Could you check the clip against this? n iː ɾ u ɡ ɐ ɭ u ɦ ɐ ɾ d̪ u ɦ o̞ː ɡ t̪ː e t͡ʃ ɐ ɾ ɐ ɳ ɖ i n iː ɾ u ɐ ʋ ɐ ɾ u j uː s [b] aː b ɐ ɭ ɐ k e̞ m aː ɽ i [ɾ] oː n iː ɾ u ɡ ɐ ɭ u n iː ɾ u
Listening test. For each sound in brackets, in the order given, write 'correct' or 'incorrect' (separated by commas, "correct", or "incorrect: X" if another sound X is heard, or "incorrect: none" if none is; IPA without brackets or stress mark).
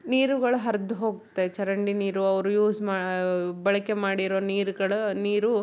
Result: incorrect: m, correct